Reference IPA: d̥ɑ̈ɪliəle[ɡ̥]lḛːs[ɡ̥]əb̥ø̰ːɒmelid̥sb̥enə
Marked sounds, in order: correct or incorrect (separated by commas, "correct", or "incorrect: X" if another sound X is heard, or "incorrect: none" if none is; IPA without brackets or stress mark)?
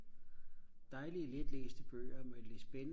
incorrect: d̥, incorrect: d̥